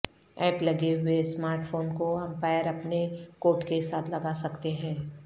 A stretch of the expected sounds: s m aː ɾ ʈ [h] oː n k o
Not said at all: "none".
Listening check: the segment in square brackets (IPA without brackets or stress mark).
f